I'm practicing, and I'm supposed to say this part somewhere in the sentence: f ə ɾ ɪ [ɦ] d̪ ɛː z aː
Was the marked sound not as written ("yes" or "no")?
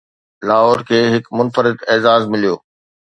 yes